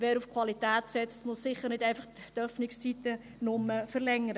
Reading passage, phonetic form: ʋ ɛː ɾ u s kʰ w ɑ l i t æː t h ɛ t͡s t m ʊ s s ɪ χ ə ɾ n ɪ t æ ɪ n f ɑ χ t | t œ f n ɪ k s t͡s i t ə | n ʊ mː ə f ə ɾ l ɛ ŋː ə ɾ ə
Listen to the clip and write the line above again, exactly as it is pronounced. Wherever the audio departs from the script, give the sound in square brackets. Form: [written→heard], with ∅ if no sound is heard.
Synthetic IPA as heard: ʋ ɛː ɾ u [s→f] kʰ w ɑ l i t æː t [h→s] ɛ t͡s t m ʊ s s ɪ χ ə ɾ n ɪ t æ ɪ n f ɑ χ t | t œ f n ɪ k s t͡s i t ə | n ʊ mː ə f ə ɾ l ɛ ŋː ə ɾ ə

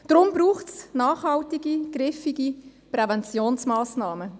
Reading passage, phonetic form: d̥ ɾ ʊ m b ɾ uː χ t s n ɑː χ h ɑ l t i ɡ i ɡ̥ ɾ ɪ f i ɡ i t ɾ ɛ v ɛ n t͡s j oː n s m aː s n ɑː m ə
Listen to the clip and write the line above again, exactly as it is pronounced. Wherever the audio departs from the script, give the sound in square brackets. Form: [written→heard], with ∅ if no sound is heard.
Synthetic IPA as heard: d̥ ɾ ʊ m b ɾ uː χ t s n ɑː χ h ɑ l t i ɡ i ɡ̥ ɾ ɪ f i ɡ i [t→p] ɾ ɛ v ɛ n t͡s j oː n s m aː s n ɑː m ə

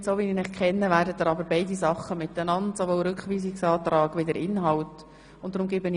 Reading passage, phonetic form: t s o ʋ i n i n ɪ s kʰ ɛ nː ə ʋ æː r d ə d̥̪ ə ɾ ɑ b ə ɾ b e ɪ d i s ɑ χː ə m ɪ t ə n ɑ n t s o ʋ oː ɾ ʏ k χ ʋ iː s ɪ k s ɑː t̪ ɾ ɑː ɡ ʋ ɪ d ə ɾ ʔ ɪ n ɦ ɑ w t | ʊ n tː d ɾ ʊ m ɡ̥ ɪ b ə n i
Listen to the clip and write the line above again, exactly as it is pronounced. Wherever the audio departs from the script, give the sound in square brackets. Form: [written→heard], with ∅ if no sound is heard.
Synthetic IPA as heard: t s o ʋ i n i n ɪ [s→χ] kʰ ɛ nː ə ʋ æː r d ə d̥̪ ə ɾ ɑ b ə ɾ b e ɪ d i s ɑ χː ə m ɪ t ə n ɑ n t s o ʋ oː ɾ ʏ k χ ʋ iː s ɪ k s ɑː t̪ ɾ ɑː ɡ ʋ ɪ d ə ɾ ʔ ɪ n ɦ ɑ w t | ʊ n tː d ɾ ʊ m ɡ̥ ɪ b ə n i

